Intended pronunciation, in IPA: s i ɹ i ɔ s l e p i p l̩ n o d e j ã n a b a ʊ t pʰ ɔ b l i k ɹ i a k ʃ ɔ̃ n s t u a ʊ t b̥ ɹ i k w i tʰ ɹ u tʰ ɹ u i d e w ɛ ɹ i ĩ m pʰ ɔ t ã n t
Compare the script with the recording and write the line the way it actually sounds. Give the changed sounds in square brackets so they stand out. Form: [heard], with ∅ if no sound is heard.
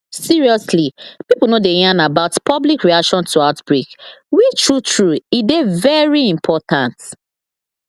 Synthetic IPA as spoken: s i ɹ i ɔ s l [i] p i p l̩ n o d e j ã n a b a ʊ t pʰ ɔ b l i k ɹ i a k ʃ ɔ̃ n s t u a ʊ t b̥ ɹ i k w i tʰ ɹ u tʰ ɹ u i d e [v] ɛ ɹ i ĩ m pʰ ɔ t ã n t